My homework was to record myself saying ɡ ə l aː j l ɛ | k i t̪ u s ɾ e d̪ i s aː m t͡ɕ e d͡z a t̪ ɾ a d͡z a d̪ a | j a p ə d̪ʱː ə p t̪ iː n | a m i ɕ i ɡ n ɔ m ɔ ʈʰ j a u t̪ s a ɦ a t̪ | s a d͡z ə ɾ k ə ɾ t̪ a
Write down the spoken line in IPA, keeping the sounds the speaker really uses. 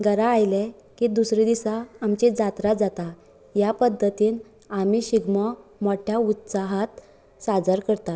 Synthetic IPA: ɡ ə ɾ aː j l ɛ | k i d̪ u s ɾ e d̪ i s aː m t͡ɕ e d͡z a t̪ ɾ a d͡z a t̪ a | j a p ə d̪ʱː ə t̪ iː n | a m i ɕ i ɡ m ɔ m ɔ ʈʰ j a u t̪ s a ɦ a t̪ | s a d͡z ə ɾ k ə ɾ t̪ a